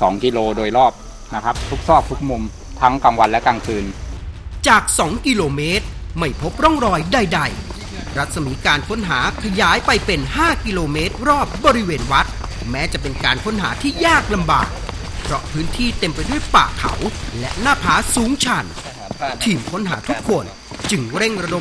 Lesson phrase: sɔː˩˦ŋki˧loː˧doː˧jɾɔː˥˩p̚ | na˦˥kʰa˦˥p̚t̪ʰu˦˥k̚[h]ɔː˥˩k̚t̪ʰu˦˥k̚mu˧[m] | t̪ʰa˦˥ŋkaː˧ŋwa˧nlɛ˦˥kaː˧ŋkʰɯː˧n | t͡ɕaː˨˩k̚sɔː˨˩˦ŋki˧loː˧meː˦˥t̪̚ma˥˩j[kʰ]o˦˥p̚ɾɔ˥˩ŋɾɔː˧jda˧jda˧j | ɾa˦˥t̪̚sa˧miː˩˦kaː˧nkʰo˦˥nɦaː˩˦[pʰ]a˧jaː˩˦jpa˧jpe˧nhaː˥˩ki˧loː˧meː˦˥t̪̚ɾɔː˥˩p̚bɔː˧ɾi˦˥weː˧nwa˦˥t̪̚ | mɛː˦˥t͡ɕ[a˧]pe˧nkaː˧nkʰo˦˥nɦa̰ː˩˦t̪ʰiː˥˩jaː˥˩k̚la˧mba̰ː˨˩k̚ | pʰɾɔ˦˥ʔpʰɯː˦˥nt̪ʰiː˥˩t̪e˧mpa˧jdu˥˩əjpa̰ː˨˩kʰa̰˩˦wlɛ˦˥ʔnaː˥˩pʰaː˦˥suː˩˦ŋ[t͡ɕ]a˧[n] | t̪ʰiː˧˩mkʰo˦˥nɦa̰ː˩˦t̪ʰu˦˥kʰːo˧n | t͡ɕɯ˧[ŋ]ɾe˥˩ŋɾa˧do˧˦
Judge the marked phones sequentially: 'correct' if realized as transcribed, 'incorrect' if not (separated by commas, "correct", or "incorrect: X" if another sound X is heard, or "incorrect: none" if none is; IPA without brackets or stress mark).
incorrect: s, correct, incorrect: pʰ, incorrect: kʰ, incorrect: a˨˩, incorrect: t͡ɕʰ, correct, correct